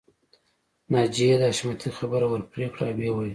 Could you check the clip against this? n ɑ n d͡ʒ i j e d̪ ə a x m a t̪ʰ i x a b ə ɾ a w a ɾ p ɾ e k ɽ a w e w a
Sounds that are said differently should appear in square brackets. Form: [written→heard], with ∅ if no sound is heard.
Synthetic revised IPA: n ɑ [n→∅] d͡ʒ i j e d̪ ə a [x→ʃ] m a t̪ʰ i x a b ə ɾ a w [a→ə] ɾ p ɾ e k ɽ a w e w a